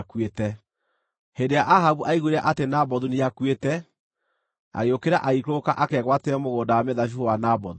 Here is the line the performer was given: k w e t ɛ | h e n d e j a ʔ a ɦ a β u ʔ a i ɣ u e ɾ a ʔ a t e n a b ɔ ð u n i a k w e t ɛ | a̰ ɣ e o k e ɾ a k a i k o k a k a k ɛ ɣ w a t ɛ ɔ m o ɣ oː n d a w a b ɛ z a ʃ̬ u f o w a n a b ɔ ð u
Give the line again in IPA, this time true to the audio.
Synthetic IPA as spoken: k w e t ɛ | h e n d e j a ʔ a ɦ a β u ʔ a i ɣ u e ɾ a ʔ a t e n a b ɔ ð u n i a k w e t ɛ | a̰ ɣ e o k e ɾ a ʔ a i k o k a ʔ a k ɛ ɣ w a t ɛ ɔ m o ɣ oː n d a w a m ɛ ð a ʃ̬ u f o w a n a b ɔ ð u